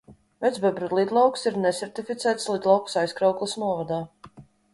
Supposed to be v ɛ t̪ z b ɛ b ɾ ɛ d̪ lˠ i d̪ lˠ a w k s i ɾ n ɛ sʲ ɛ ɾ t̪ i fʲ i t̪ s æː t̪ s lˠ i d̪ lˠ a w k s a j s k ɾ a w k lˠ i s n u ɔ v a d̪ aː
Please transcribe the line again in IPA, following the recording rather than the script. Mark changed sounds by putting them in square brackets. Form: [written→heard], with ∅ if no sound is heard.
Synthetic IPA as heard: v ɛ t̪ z b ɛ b ɾ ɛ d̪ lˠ i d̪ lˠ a w k s i ɾ n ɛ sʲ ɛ ɾ t̪ i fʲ i t̪ s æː t̪ s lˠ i d̪ lˠ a w k s a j s k ɾ a w k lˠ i s n u ɔ v a d̪ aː